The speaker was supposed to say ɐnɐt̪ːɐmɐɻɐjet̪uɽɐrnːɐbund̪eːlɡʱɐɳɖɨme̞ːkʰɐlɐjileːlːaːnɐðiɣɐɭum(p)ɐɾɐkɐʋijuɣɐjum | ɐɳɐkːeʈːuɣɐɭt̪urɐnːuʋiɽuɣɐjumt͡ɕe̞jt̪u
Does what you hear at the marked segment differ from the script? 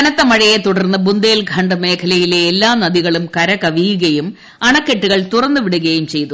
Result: yes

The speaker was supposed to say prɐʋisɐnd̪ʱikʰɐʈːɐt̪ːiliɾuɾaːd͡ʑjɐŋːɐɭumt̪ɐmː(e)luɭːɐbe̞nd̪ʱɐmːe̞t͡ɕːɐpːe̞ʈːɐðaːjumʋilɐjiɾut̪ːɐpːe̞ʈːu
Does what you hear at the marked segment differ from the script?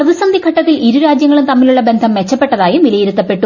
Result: yes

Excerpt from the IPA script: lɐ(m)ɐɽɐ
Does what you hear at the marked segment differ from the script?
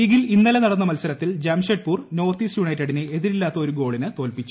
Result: yes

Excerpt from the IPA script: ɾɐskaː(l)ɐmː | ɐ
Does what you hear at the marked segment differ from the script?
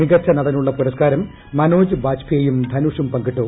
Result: yes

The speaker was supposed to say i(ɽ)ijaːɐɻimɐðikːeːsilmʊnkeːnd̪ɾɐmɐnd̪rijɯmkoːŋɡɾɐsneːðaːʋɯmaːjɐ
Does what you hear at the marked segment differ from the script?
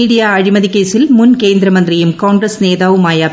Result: no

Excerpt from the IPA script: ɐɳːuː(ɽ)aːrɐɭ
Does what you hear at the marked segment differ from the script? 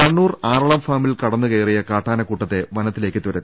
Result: yes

